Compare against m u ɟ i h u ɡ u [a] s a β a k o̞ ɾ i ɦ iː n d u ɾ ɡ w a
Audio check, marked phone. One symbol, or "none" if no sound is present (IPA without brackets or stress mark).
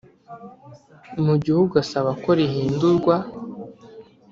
a